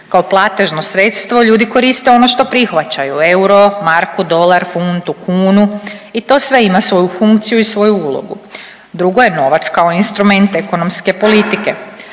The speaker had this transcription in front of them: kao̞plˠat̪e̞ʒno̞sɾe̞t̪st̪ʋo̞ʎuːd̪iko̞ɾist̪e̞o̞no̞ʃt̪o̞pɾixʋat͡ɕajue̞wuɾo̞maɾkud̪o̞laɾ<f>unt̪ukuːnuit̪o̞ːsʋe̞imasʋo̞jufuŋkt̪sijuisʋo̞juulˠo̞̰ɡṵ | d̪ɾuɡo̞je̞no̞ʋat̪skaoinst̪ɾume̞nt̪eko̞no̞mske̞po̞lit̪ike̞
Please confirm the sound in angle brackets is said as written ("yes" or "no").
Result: yes